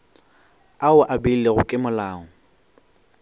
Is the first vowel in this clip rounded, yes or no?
no